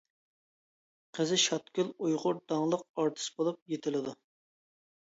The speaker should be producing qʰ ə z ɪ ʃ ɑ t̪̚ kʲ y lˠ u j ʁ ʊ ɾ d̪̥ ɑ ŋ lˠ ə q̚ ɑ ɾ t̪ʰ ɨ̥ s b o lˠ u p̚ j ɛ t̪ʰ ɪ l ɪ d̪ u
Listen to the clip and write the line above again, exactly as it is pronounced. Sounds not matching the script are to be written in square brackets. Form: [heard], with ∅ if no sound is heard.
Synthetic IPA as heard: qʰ ə z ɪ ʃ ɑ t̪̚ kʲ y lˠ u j ʁ ʊ ɾ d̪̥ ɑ ŋ lˠ ə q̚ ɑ ɾ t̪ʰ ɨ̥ s b o lˠ u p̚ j [e] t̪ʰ ɪ l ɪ d̪ u